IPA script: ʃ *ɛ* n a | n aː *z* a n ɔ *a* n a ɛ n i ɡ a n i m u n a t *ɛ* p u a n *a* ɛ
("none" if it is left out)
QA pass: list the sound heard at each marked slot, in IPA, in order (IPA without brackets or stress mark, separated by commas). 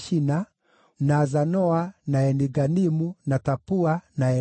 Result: i, z, a, a, a